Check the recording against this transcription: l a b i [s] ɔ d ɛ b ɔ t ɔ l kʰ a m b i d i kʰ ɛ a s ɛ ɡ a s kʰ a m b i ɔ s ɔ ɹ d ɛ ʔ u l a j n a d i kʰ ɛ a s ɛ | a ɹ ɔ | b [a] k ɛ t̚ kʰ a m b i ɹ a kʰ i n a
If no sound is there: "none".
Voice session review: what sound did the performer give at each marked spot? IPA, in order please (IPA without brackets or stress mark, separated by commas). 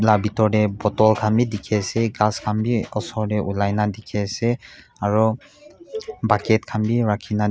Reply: t, a